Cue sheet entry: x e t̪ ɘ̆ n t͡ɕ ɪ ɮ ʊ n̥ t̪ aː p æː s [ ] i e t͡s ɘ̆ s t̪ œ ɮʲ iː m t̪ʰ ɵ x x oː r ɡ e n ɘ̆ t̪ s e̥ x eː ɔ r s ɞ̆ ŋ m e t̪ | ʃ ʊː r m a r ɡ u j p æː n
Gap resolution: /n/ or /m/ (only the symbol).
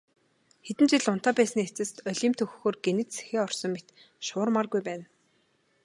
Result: n